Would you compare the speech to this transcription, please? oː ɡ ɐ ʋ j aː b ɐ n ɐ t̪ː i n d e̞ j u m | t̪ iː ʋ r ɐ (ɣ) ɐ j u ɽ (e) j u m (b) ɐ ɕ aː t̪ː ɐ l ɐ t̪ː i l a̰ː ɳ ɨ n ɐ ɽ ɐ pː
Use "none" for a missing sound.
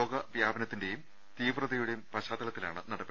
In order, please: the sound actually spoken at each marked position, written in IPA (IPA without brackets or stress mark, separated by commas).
ð, e, p